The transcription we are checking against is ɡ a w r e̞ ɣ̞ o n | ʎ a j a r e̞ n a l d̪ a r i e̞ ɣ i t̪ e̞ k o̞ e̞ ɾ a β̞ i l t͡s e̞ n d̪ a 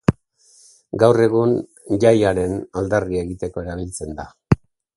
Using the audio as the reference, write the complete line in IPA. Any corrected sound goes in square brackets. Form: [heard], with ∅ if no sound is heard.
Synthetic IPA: ɡ a w r e̞ ɣ̞ [u] n | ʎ a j a [ɾ] e̞ n a l d̪ a r i e̞ ɣ i t̪ e̞ k o̞ e̞ ɾ a β̞ i l t͡s e̞ n d̪ a

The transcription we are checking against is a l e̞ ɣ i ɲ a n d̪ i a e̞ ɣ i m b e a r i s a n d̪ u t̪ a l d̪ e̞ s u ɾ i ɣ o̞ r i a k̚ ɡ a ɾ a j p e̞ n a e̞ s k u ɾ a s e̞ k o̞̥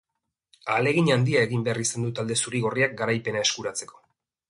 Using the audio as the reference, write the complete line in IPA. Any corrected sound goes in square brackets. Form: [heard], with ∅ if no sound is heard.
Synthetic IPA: a l e̞ ɣ i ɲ a n d̪ i a e̞ ɣ i m b e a r i s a n d̪ u t̪ a l d̪ e̞ s u ɾ i ɣ o̞ r i a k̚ ɡ a ɾ a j p e̞ n a e̞ s k u ɾ a [t͡s] e̞ k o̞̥

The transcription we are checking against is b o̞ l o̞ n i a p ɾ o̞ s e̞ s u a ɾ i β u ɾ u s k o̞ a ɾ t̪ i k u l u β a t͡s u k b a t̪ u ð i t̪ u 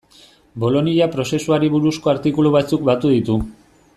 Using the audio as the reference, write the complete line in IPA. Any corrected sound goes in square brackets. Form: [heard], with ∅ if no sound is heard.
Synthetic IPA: b o̞ l o̞ n i a p ɾ o̞ s e̞ s u a ɾ i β u ɾ u s k o̞ a ɾ t̪ i k u l u β a t͡s u k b a t̪ u ð i t̪ u

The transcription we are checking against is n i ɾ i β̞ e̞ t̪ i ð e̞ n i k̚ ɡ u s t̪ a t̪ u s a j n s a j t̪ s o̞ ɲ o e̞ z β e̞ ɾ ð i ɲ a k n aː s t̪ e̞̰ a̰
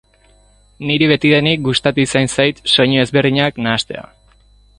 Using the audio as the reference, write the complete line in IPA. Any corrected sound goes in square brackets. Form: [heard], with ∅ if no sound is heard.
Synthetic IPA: n i ɾ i β̞ e̞ t̪ i ð e̞ n i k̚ ɡ u s t̪ a t̪ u s a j n s a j t̪ s o̞ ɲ o e̞ z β e̞ ɾ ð i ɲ a k n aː s t̪ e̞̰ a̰

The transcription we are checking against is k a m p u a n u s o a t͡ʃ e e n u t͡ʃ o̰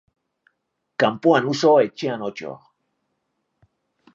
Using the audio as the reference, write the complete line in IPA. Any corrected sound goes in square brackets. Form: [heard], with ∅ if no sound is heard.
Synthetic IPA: k a m p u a n u s o [e] t͡ʃ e [a] n [o] t͡ʃ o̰

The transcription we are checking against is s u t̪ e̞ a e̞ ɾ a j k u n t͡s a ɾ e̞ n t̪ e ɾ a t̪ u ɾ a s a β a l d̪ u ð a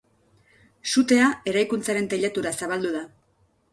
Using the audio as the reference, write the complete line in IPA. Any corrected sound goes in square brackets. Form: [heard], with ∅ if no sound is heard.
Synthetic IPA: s u t̪ e̞ a e̞ ɾ a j k u n t͡s a ɾ e̞ n t̪ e [ʎ] a t̪ u ɾ a s a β a l d̪ u ð a

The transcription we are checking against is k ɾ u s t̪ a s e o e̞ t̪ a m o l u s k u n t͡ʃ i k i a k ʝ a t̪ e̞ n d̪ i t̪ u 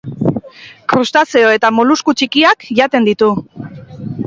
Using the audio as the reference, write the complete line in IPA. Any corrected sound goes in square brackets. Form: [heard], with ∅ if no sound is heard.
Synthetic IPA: k ɾ u s t̪ a s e o e̞ t̪ a m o l u s k u [∅] t͡ʃ i k i a k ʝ a t̪ e̞ n d̪ i t̪ u

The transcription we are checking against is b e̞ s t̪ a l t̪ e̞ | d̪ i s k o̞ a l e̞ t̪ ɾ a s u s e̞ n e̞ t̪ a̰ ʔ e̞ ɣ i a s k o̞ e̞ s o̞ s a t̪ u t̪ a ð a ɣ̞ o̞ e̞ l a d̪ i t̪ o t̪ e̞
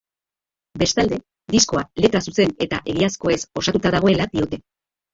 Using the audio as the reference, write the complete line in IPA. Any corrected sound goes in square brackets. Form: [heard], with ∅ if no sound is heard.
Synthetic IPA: b e̞ s t̪ a l [d̪] e̞ | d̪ i s k o̞ a l e̞ t̪ ɾ a s u s e̞ n e̞ t̪ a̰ ʔ e̞ ɣ i a s k o̞ e̞ s o̞ s a t̪ u t̪ a ð a ɣ̞ o̞ e̞ l a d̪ i [∅] o t̪ e̞

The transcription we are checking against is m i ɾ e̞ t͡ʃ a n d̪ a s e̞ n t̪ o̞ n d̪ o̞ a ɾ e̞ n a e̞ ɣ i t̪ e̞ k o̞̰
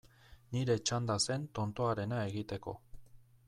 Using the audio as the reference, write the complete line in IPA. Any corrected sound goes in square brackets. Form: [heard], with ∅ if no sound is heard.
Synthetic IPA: [n] i ɾ e̞ t͡ʃ a n d̪ a s e̞ n t̪ o̞ n [t̪] o̞ a ɾ e̞ n a e̞ ɣ i t̪ e̞ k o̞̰

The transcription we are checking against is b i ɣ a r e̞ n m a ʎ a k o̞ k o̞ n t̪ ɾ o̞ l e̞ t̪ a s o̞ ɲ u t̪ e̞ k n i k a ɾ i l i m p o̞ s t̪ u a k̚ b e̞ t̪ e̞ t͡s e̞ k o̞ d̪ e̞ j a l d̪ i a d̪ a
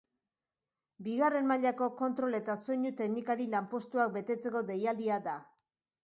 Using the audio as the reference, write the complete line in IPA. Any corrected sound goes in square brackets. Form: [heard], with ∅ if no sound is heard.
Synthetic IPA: b i ɣ a r e̞ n m a ʎ a k o̞ k o̞ n t̪ ɾ o̞ l e̞ t̪ a s o̞ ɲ u t̪ e̞ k n i k a ɾ i l [a] m p o̞ s t̪ u a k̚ b e̞ t̪ e̞ t͡s e̞ k o̞ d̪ e̞ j a l d̪ i a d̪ a

